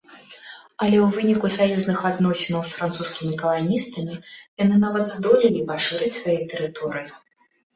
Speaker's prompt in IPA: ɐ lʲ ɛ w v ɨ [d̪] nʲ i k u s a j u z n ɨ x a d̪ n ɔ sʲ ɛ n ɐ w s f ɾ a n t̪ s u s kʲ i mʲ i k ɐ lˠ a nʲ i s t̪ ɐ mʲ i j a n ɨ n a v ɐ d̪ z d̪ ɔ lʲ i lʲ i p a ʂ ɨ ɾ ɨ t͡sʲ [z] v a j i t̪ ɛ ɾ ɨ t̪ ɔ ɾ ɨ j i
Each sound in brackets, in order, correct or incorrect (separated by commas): incorrect, incorrect